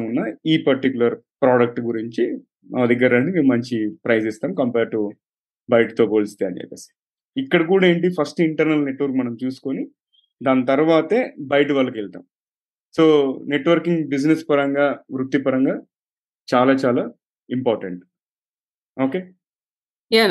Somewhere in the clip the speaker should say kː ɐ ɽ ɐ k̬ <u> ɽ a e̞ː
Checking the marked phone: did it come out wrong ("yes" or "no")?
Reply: yes